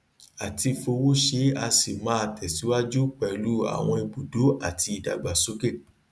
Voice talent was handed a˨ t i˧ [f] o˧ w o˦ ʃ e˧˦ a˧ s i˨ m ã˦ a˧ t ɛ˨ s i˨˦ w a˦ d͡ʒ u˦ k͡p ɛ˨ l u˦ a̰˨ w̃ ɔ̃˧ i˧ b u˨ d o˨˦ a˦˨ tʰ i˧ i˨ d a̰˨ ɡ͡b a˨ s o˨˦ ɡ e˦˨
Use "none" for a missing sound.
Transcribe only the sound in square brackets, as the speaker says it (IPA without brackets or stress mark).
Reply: f